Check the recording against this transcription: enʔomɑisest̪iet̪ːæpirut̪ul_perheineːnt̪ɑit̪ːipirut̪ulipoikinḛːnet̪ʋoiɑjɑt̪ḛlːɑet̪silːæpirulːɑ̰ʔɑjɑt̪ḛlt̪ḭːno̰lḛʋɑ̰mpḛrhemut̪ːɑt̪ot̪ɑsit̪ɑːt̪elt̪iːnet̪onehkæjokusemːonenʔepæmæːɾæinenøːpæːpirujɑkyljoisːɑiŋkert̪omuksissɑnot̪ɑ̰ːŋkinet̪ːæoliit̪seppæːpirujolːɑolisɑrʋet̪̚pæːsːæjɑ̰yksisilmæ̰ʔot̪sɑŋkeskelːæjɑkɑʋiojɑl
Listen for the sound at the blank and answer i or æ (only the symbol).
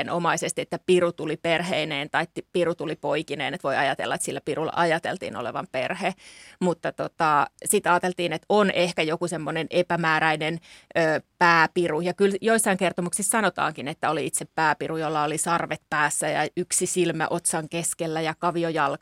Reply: i